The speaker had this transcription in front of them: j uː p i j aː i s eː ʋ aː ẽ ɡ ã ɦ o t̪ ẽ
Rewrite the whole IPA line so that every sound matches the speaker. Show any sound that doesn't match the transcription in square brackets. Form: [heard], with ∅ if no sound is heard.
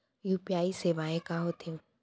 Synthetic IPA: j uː p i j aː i s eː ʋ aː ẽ [k] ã ɦ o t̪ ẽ